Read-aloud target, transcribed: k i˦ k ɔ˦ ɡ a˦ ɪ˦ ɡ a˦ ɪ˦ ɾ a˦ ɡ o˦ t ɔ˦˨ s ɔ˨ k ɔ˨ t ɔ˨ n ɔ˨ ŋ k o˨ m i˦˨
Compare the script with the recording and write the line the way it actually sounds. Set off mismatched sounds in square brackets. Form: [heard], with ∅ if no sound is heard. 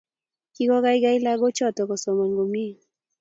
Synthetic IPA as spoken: k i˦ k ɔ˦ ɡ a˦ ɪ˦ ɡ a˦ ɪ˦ [l] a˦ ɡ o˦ [t͡ʃ] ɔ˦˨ [t] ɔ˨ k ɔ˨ [s] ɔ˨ [m] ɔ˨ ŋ [ɡ] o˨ m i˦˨

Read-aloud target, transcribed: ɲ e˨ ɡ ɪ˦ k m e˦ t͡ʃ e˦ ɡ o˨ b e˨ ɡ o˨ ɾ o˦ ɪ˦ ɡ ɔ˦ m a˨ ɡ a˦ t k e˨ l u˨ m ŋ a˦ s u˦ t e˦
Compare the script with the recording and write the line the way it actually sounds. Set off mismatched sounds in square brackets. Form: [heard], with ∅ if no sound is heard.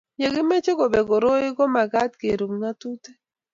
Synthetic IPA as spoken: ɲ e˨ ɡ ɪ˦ [∅] m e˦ t͡ʃ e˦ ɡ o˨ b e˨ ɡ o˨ ɾ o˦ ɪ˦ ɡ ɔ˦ m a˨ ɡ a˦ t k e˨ [ɾ] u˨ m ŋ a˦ [t] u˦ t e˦

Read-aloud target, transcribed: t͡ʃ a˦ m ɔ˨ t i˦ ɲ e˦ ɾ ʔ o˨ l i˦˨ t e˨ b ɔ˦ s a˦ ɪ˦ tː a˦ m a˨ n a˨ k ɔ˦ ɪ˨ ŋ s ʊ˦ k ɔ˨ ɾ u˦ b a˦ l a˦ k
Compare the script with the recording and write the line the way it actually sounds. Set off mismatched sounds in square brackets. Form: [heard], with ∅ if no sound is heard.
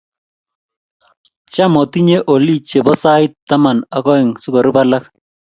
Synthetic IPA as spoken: t͡ʃ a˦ m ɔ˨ t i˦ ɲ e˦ [∅] ʔ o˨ l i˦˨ [t͡ʃ] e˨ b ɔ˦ s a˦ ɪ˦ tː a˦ m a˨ n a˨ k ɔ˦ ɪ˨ ŋ s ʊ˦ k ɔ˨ ɾ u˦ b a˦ l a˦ k

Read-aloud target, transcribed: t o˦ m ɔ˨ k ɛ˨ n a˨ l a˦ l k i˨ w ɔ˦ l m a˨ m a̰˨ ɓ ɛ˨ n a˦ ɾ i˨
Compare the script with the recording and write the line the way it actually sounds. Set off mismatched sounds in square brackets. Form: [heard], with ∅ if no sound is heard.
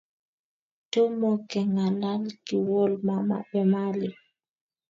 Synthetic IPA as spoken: t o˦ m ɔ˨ k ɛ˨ [ŋ] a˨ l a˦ l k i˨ w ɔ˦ l m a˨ m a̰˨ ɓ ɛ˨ [m] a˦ [l] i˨

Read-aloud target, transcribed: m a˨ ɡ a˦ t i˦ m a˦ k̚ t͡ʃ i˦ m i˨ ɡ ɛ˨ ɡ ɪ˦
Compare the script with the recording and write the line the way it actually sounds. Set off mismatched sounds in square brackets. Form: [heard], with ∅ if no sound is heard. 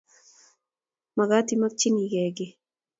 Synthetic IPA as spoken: m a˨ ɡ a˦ t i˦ m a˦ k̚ t͡ʃ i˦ [n] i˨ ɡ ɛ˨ ɡ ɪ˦

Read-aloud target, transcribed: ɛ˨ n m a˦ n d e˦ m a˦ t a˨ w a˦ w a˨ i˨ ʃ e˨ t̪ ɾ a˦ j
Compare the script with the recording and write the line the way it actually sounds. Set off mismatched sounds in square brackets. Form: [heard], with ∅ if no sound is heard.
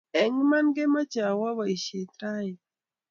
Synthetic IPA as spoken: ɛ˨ [ŋ] m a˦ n [ɡ] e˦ m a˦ [t͡ʃ] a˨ w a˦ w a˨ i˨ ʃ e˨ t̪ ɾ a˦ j

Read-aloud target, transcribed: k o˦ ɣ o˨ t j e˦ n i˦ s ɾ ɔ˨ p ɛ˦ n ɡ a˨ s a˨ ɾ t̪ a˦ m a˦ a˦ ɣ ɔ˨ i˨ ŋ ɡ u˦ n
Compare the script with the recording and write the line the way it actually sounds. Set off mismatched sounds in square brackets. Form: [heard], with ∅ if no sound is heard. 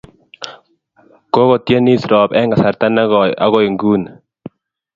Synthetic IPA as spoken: k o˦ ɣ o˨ t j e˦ n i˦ s ɾ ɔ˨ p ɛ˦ [ŋ] ɡ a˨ s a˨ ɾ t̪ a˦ [n] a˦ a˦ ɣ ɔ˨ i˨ ŋ ɡ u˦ n

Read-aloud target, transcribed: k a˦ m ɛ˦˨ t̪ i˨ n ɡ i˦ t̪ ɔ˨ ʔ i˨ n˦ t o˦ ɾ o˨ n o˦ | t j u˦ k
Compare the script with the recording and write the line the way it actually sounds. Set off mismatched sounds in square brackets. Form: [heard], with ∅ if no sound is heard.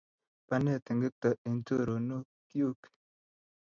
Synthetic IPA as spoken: [p] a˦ [n] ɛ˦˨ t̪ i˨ [ŋ] ɡ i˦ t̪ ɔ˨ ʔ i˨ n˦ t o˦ ɾ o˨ n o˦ | [k] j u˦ k

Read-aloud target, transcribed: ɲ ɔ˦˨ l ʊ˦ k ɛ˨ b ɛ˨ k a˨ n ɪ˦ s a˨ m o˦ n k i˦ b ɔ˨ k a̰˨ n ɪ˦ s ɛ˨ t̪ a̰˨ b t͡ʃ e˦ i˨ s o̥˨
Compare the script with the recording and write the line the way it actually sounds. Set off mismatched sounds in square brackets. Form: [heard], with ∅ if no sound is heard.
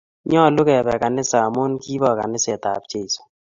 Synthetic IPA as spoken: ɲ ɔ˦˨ l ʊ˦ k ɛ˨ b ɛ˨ k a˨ n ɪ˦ s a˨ m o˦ n k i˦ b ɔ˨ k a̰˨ n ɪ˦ s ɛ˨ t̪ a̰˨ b t͡ʃ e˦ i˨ s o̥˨

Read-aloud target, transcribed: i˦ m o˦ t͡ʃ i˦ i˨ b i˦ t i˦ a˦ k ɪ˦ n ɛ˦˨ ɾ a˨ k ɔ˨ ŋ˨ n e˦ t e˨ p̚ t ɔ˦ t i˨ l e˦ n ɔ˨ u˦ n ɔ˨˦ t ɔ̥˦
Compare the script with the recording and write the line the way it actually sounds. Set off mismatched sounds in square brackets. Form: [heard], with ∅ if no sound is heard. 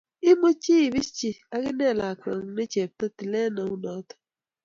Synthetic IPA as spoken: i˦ m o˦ t͡ʃ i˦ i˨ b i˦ [t͡ʃ] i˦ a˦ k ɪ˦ n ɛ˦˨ [l] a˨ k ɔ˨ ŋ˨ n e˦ [t͡ʃ] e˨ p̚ t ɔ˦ t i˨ l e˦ n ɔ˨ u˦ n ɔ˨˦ t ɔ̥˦

